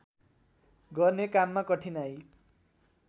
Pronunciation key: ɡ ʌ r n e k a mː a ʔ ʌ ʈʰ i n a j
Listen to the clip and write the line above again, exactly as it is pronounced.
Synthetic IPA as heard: ɡ ʌ r n e k a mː a k ʌ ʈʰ i n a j

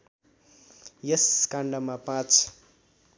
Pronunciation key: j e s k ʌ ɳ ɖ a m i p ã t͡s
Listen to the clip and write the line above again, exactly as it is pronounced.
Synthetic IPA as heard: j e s k a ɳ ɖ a m a p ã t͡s

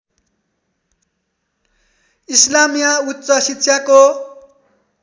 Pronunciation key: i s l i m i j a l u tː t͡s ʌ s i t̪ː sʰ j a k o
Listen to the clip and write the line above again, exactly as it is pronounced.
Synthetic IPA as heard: i s l a m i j a u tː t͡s ʌ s i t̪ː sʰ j a k o

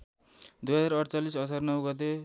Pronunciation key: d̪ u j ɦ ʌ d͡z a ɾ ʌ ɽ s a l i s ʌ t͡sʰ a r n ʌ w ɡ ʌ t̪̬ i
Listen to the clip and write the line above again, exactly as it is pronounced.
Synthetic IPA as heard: d̪ u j ɦ ʌ d͡z a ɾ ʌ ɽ t͡s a l i s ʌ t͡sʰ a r n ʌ w ɡ ʌ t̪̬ e

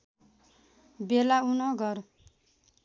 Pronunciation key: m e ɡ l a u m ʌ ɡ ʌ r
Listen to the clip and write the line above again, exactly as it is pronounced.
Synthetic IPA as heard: b e l a u n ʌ ɡ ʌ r

